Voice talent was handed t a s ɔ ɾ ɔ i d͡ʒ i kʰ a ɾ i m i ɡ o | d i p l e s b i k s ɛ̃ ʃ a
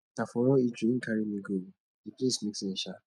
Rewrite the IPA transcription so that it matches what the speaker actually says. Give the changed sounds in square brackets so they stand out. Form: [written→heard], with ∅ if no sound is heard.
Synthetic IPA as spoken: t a [s→f] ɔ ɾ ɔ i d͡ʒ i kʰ a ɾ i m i ɡ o | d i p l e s [b→m] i k s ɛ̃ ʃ a